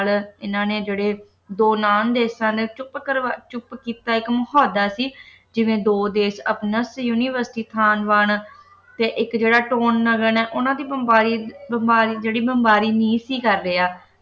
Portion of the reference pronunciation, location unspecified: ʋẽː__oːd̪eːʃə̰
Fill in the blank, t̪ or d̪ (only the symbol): d̪